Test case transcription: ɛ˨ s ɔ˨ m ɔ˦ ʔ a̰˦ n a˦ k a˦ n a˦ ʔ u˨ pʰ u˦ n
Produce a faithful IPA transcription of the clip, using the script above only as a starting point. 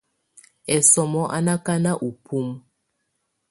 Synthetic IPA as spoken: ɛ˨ s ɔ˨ m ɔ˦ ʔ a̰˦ n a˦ k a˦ n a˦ ʔ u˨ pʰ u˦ m